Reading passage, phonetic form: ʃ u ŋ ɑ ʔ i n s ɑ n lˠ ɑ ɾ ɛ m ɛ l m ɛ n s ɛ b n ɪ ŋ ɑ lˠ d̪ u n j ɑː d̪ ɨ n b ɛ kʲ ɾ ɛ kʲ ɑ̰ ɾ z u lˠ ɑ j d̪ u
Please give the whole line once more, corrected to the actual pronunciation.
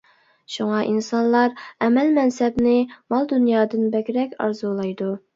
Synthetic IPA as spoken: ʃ u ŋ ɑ ʔ i n s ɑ n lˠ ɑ ɾ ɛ m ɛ l m ɛ n s ɛ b n ɪ m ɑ lˠ d̪ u n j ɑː d̪ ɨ n b ɛ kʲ ɾ ɛ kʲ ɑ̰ ɾ z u lˠ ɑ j d̪ u